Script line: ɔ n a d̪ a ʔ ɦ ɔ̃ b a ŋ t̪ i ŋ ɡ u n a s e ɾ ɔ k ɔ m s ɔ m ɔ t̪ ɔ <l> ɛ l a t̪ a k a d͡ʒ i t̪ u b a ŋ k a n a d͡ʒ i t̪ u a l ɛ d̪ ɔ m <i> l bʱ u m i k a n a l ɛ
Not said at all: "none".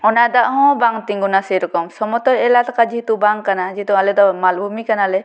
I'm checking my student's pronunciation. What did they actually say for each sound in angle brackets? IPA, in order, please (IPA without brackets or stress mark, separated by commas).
ɾ, a